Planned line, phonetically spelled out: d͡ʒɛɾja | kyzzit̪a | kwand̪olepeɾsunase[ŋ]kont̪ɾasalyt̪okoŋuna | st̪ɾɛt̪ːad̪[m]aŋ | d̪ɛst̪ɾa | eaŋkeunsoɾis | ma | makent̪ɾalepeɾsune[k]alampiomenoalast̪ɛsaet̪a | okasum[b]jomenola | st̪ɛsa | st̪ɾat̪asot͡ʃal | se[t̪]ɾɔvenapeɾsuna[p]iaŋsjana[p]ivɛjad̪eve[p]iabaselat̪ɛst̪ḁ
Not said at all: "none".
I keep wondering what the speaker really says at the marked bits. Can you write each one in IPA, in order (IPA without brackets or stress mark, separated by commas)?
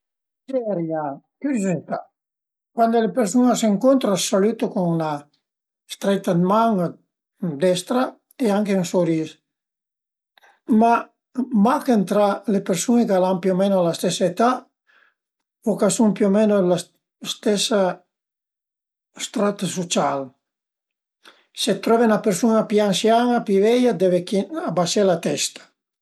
ŋ, m, k, p, t̪, p, p, k